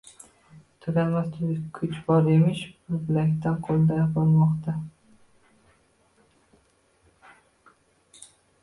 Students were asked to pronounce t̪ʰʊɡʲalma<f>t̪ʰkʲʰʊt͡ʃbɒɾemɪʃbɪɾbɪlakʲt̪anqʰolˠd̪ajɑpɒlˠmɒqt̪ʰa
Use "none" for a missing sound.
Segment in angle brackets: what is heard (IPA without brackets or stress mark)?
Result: s